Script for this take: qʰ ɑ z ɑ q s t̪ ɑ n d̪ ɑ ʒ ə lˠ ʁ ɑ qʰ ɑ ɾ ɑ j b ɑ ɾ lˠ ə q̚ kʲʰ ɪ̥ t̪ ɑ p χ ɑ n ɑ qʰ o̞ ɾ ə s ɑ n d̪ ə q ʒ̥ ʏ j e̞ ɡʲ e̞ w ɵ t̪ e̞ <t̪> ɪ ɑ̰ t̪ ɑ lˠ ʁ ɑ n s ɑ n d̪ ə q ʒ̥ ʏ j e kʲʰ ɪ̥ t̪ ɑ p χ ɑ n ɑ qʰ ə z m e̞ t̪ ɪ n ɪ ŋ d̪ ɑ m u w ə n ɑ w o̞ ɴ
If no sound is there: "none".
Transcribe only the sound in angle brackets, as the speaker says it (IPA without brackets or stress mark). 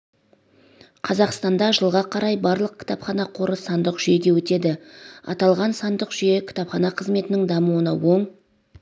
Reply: d̪